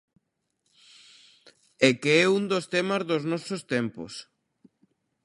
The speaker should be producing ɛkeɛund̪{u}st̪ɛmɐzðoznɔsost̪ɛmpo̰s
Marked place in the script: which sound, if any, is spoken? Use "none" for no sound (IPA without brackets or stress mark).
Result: o